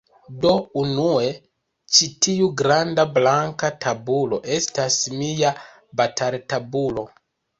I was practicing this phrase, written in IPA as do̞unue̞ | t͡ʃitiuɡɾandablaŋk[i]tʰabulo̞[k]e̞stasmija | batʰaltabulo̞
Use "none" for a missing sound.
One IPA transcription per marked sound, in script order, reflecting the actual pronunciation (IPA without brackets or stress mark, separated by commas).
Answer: a, ʔ